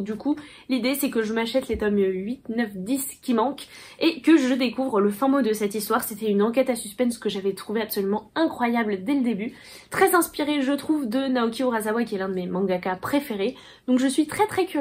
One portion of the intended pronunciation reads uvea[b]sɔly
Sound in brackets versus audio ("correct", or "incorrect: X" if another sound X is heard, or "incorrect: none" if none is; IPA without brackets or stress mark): incorrect: p